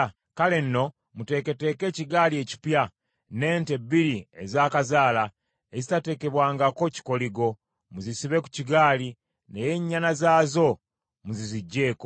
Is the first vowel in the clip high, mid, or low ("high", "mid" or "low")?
low